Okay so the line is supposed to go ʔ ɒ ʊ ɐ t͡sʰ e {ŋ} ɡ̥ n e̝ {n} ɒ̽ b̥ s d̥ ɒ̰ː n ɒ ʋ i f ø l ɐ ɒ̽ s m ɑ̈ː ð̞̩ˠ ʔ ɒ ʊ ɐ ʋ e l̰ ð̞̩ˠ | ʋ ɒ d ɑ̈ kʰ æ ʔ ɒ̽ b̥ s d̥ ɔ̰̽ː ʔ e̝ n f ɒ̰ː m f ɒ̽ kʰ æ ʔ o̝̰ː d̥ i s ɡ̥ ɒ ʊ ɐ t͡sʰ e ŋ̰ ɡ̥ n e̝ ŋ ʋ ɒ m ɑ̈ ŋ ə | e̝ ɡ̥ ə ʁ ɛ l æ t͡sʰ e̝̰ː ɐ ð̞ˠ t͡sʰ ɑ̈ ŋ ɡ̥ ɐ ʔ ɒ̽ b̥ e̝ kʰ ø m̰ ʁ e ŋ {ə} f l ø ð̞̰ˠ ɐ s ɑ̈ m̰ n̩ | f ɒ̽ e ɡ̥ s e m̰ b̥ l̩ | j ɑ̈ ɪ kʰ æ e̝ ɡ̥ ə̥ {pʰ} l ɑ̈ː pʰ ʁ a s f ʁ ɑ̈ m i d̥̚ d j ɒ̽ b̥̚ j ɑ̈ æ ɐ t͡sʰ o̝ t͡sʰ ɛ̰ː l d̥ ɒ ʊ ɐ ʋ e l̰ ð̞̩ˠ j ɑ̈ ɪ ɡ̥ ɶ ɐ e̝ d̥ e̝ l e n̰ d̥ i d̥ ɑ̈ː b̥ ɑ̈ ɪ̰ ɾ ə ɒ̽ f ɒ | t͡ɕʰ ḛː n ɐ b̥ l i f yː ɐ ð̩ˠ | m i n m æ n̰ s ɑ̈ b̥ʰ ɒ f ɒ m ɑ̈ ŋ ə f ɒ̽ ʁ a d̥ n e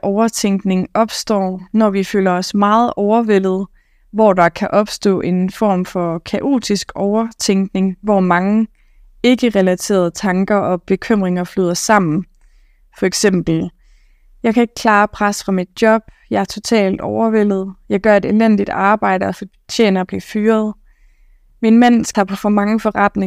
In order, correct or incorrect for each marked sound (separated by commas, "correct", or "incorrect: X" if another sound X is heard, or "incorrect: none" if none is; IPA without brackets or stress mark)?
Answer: correct, incorrect: ŋ, incorrect: ɐ, incorrect: kʰ